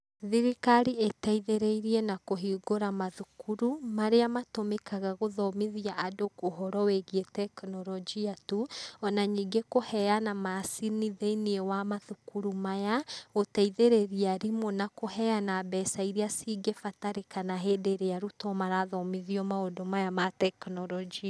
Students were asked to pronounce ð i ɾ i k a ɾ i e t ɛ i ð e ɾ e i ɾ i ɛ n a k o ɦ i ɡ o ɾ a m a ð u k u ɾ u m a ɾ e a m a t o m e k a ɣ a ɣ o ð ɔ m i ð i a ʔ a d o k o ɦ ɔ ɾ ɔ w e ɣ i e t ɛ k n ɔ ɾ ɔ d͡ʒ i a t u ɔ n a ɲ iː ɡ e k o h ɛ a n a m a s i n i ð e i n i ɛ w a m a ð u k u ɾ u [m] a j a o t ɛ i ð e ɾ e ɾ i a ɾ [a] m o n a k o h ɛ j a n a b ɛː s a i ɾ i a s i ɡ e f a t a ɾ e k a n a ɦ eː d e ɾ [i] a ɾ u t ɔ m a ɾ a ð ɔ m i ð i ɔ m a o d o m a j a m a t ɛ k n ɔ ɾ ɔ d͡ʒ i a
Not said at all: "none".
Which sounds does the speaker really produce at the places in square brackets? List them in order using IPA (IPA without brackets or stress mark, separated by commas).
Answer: m, i, e